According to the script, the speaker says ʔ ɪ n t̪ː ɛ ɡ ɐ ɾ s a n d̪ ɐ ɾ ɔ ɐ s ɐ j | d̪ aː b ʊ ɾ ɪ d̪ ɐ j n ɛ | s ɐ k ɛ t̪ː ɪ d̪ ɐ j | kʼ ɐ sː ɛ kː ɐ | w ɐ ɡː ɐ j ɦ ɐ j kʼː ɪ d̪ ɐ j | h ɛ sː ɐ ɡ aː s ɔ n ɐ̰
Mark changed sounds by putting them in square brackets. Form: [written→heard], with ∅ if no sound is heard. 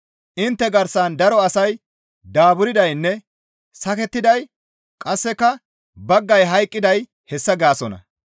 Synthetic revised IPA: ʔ ɪ n t̪ː ɛ ɡ ɐ ɾ s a n d̪ ɐ ɾ ɔ ɐ s ɐ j | d̪ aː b ʊ ɾ ɪ d̪ ɐ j [n→nː] ɛ | s ɐ k ɛ t̪ː ɪ d̪ ɐ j | kʼ ɐ sː ɛ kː ɐ | [w→b] ɐ ɡː ɐ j ɦ ɐ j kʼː ɪ d̪ ɐ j | h ɛ sː ɐ ɡ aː s ɔ n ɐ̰